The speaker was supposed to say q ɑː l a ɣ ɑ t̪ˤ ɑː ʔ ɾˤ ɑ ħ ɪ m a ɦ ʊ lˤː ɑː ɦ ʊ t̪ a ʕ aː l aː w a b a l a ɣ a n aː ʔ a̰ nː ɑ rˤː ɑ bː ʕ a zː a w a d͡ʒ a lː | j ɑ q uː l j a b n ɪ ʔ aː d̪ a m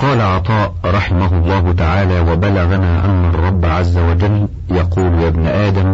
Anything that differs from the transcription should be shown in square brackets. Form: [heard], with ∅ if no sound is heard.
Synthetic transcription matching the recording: q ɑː l a [ʕ] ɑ t̪ˤ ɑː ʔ ɾˤ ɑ ħ ɪ m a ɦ ʊ lˤː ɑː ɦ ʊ t̪ a ʕ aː l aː w a b a l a ɣ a n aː ʔ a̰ nː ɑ rˤː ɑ bː ʕ a zː a w a d͡ʒ a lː | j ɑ q uː l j a b n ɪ ʔ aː d̪ a m